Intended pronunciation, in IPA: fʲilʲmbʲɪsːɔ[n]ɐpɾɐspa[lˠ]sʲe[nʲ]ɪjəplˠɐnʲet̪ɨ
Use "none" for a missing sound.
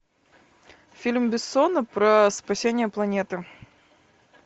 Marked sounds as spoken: n, none, nʲ

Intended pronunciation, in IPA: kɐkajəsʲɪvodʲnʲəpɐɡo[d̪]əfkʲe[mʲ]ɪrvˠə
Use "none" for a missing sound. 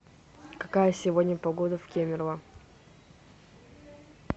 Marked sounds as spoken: d̪, mʲ

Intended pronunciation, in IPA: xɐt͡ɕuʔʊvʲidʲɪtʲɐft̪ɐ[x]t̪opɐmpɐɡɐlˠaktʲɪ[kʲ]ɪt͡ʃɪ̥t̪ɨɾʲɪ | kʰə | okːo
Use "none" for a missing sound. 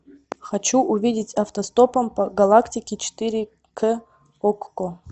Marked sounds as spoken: s, kʲ

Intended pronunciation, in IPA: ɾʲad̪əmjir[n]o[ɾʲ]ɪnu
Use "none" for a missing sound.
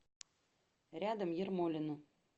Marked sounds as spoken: m, lʲ

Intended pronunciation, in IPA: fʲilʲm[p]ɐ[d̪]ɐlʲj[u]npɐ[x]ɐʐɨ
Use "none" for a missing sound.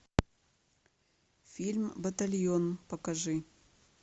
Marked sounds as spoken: b, t̪, o, k

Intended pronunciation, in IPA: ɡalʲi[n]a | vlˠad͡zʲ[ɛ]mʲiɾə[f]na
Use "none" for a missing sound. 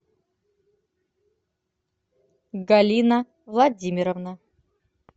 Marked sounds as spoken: n, i, v

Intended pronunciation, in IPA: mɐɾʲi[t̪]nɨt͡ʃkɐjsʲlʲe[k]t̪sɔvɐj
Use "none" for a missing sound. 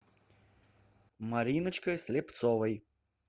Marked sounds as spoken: none, p

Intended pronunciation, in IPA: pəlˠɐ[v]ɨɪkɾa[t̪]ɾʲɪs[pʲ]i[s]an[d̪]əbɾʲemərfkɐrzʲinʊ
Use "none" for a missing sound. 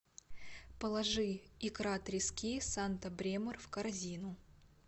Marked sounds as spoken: ʐ, t̪, kʲ, s, t̪

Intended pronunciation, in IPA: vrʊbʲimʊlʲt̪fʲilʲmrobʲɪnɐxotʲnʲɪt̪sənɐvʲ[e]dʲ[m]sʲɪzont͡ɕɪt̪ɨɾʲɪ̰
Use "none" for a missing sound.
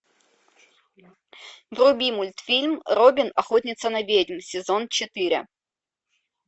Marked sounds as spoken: e, m

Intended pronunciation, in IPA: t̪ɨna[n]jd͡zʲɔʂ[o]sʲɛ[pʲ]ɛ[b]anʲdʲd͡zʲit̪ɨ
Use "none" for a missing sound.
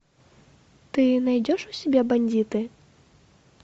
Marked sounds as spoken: none, u, bʲ, b

